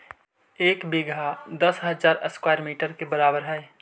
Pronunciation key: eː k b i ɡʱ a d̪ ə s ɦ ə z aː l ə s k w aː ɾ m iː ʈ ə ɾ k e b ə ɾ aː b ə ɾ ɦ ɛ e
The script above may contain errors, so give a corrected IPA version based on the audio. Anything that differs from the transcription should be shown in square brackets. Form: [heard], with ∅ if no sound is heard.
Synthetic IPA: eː k b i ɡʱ a d̪ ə s ɦ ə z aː [ɾ] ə s k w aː ɾ m iː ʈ ə ɾ k e b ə ɾ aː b ə ɾ ɦ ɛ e